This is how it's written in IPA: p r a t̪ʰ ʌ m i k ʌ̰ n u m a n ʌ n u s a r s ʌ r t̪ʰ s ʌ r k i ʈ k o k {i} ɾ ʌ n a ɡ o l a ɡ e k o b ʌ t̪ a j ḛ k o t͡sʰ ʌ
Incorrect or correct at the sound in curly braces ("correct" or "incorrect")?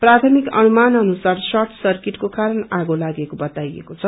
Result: incorrect